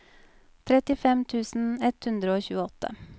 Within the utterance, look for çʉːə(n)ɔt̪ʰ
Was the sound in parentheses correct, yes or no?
no